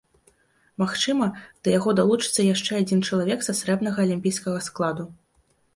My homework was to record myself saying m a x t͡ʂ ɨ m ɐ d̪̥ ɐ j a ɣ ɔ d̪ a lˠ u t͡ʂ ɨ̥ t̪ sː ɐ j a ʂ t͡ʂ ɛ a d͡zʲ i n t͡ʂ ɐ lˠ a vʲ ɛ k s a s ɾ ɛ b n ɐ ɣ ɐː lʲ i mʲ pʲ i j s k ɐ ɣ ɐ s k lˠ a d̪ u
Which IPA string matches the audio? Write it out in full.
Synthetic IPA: m a x t͡ʂ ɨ m ɐ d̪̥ ɐ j a ɣ ɔ d̪ a lˠ u t͡ʂ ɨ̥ t̪ sː ɐ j a ʂ t͡ʂ ɛ a d͡zʲ i n t͡ʂ ɐ lˠ a vʲ ɛ k s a s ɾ ɛ b n ɐ ɣ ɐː lʲ i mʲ pʲ i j s k ɐ ɣ ɐ s k lˠ a d̪ u